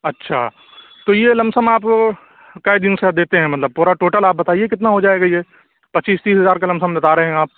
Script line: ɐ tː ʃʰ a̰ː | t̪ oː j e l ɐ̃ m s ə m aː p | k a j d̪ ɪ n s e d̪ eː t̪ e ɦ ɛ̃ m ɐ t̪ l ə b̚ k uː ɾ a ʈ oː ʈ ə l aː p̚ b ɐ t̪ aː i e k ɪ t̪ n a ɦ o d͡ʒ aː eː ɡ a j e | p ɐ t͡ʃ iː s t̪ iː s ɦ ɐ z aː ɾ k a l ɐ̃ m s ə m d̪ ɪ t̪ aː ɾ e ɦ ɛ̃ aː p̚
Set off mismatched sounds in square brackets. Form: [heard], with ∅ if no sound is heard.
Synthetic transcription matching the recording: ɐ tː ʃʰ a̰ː | t̪ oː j e l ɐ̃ m s ə m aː p | k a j d̪ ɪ n s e d̪ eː t̪ e ɦ ɛ̃ m ɐ t̪ l ə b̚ [p] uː ɾ a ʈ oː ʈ ə l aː p̚ b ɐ t̪ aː i e k ɪ t̪ n a ɦ o d͡ʒ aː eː ɡ a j e | p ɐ t͡ʃ iː s t̪ iː s ɦ ɐ z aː ɾ k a l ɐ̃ m s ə m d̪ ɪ t̪ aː ɾ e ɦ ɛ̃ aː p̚